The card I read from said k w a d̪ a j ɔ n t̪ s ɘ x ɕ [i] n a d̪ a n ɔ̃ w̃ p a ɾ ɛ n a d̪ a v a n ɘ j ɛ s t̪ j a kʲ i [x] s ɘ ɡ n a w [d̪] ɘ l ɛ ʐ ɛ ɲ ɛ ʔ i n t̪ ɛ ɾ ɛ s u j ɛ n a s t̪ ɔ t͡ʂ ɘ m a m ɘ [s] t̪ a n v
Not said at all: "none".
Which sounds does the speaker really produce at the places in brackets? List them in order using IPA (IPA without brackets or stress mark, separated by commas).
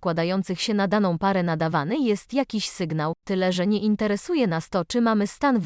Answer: ɛ, ɕ, t̪, s